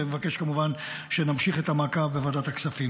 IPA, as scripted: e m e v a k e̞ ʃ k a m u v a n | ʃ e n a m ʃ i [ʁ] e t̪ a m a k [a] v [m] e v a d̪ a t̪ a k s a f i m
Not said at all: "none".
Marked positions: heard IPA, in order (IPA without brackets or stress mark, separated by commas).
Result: χ, a, b